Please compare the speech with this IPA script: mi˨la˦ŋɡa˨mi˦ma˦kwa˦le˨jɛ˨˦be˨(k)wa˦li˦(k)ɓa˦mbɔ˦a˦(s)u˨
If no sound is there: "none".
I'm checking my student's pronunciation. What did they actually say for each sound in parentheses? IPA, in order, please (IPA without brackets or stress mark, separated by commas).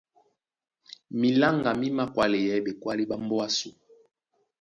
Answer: k, none, s